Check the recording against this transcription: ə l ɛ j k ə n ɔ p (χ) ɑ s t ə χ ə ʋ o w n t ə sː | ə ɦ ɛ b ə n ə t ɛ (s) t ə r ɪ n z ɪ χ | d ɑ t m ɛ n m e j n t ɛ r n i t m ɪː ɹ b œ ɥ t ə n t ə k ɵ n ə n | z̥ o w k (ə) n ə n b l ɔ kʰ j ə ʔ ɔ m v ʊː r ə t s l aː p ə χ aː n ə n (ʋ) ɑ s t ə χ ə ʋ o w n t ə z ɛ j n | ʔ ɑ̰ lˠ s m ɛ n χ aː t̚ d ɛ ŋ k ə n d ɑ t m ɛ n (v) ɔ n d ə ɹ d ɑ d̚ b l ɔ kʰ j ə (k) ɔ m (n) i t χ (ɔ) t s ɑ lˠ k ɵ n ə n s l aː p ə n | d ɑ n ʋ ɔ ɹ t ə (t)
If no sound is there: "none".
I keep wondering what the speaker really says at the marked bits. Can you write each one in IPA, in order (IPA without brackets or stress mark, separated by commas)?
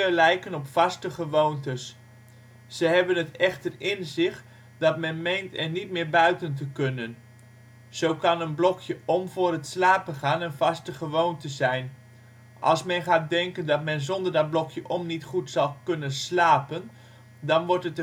f, χ, ɑ, v, z, ʔ, n, u, t